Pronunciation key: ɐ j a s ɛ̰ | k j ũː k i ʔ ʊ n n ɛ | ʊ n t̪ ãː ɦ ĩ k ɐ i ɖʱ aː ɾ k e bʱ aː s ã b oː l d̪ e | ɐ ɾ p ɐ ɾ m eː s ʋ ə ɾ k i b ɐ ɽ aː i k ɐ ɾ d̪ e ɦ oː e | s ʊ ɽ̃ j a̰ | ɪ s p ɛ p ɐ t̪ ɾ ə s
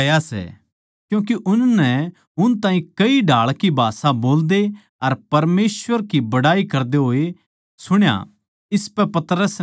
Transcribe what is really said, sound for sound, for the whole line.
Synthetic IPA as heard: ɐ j a s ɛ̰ | k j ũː k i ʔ ʊ n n ɛ | ʊ n t̪ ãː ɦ ĩ k ɐ i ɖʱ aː ɭ k i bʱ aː s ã b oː l d̪ e | ɐ ɾ p ɐ ɾ m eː s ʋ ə ɾ k i b ɐ ɽ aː i k ɐ ɾ d̪ e ɦ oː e | s ʊ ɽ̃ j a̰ | ɪ s p ɛ p ɐ t̪ ɾ ə s